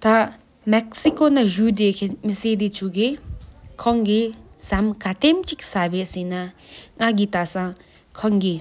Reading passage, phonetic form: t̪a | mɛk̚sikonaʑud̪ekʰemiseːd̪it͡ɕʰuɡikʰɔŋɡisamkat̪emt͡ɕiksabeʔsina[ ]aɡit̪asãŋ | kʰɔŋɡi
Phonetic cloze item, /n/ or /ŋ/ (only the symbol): ŋ